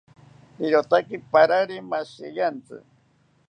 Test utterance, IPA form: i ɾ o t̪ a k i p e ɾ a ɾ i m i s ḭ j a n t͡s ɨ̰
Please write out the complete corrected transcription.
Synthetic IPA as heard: i ɾ o t̪ a k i p a ɾ a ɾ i m a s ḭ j a n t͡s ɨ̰